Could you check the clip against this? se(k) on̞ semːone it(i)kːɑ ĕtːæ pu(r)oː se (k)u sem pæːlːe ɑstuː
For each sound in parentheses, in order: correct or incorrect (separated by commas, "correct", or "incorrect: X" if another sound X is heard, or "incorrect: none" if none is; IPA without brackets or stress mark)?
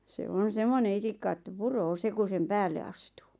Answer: incorrect: none, correct, correct, correct